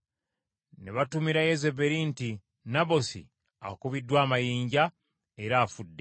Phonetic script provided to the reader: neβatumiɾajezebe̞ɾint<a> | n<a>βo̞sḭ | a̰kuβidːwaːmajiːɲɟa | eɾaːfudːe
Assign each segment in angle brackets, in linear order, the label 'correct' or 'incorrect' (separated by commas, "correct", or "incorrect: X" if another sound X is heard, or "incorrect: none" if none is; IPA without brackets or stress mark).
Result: incorrect: i, correct